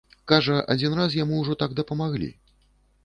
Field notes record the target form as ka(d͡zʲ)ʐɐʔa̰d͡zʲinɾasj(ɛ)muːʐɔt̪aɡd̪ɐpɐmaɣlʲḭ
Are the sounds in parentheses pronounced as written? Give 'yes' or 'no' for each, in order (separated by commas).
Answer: no, no